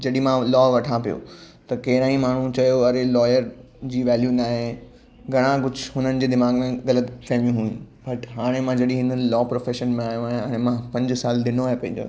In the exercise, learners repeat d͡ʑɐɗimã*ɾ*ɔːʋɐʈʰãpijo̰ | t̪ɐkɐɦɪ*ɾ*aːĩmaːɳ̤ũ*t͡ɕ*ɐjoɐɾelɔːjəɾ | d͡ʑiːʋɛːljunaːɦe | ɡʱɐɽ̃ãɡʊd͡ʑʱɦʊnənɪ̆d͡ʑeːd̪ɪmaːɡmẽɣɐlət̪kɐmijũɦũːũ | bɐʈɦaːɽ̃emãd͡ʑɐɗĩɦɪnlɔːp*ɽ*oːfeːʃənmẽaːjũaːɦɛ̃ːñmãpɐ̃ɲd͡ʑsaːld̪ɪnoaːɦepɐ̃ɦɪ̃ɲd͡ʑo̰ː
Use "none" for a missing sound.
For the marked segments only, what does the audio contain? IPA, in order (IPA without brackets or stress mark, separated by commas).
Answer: l, ɾ, t͡ɕ, ɾ